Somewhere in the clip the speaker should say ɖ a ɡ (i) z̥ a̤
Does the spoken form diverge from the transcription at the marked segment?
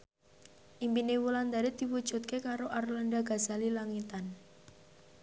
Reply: yes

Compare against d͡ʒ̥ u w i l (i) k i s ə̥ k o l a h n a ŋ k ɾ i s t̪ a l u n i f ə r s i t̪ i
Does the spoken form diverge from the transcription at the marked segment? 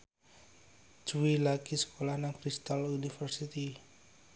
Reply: yes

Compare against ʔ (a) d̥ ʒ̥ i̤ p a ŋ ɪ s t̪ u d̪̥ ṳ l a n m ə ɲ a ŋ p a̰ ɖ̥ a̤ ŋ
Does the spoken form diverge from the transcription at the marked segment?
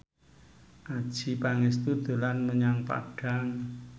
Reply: no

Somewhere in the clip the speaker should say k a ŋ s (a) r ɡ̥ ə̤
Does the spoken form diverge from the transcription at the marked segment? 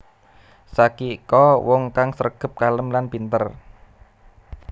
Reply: yes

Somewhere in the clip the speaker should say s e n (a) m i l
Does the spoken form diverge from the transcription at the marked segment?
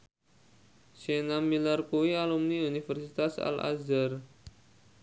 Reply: no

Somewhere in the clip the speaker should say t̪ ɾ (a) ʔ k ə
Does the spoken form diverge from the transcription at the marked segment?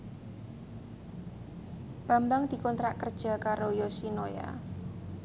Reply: no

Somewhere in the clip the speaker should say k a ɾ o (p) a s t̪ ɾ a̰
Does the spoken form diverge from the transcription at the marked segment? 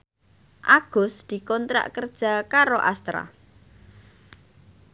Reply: yes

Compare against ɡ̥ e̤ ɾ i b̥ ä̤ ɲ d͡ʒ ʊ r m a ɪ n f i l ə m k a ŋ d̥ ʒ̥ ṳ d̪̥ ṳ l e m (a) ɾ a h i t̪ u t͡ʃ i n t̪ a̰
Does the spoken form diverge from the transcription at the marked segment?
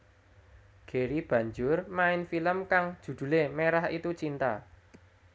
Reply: yes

